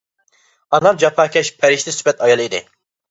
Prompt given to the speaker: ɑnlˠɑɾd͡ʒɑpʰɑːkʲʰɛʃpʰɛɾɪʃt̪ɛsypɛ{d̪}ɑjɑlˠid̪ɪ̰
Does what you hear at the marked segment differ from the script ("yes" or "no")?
yes